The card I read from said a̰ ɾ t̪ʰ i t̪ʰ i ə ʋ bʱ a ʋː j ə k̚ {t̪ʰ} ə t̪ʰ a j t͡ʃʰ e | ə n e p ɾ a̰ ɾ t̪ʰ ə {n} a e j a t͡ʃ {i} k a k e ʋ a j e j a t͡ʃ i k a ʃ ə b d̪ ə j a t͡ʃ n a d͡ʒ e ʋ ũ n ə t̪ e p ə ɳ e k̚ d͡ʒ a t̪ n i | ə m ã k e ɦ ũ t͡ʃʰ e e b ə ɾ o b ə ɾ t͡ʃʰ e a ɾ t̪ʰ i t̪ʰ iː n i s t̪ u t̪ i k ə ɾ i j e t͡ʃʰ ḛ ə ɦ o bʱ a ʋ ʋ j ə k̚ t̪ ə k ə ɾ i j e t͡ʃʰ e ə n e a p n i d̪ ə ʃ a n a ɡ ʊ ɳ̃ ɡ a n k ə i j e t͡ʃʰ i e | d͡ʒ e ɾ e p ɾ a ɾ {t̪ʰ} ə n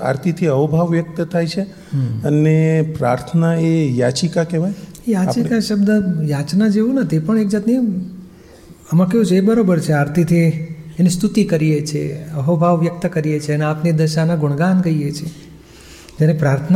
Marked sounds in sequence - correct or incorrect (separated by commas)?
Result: incorrect, correct, correct, correct